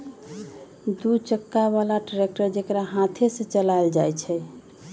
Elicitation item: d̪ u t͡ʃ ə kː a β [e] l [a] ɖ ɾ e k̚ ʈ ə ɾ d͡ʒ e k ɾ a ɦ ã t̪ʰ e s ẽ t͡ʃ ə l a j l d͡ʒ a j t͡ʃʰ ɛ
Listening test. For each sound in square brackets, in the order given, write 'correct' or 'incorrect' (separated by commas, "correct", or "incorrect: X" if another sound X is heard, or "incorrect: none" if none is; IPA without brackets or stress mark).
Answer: incorrect: a, correct